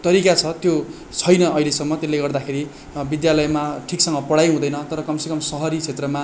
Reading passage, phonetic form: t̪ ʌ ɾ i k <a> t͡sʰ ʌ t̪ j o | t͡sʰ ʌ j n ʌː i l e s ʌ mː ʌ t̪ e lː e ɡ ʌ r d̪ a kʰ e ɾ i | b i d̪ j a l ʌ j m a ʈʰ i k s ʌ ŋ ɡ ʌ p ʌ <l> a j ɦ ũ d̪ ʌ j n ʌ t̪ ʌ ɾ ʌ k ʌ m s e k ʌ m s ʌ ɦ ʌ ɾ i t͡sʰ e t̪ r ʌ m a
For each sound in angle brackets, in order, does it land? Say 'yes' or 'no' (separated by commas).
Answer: yes, no